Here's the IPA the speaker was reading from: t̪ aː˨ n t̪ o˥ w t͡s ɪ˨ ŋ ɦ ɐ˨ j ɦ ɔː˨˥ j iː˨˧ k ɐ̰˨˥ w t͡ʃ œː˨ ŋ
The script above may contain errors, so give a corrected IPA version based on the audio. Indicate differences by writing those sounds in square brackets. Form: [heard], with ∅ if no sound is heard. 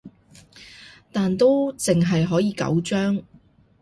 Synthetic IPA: t̪ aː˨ n t̪ o˥ w t͡s ɪ˨ ŋ ɦ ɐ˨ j ɦ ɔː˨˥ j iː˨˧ k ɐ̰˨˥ w t͡ʃ [œː˥] ŋ